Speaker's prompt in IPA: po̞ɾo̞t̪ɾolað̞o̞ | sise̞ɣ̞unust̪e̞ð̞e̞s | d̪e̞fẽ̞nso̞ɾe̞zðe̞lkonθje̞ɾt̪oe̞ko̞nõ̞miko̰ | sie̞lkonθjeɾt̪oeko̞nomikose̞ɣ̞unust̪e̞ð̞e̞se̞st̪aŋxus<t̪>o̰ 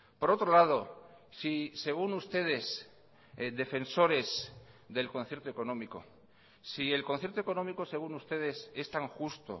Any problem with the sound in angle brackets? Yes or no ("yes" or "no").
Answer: no